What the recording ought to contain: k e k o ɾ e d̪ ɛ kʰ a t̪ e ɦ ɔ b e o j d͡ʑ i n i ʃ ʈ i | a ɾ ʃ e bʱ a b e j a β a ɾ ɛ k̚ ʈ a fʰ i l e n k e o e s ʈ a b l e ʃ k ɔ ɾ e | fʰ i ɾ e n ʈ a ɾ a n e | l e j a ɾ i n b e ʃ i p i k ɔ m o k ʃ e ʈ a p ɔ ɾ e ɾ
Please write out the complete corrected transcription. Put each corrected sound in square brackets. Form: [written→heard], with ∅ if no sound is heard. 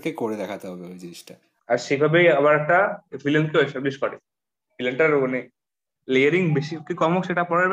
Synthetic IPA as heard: k e k o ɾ e d̪ ɛ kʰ a t̪ e ɦ ɔ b e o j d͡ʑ i n i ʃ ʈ [i→a] | a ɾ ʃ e bʱ a b e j a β a ɾ ɛ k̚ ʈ a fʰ i l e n k e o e s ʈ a b l [e→i] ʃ k ɔ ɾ e | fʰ i [ɾ→l] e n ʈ a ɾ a n e | l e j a ɾ i [n→ŋ] b e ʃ i [p→k] i k ɔ m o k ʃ e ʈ a p ɔ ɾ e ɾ